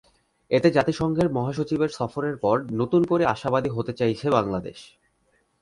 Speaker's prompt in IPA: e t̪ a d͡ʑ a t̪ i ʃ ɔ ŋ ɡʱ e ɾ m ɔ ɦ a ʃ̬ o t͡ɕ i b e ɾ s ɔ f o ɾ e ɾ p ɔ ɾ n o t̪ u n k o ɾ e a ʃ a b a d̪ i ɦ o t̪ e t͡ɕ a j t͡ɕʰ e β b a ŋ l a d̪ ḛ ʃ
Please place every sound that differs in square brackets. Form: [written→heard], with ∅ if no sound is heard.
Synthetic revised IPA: e t̪ [a→e] d͡ʑ a t̪ i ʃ ɔ ŋ ɡʱ e ɾ m ɔ ɦ a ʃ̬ o t͡ɕ i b e ɾ s ɔ f o ɾ e ɾ p ɔ ɾ n o t̪ u n k o ɾ e a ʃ a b a d̪ i ɦ o t̪ e t͡ɕ a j t͡ɕʰ e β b a ŋ l a d̪ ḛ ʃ